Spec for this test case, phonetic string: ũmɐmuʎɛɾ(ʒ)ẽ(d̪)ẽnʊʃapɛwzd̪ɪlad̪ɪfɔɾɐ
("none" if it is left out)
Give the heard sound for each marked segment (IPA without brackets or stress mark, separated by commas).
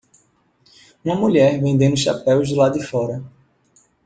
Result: v, d̪